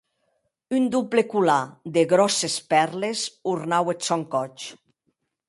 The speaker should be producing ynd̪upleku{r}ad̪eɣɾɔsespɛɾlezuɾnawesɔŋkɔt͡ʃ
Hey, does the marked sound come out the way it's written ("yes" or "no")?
no